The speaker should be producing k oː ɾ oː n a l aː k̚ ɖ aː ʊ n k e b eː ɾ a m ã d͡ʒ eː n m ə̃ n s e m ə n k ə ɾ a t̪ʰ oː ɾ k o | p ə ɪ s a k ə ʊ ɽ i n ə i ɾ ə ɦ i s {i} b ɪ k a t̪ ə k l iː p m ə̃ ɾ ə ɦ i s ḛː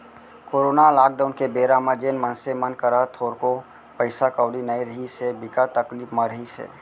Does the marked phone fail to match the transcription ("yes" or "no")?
yes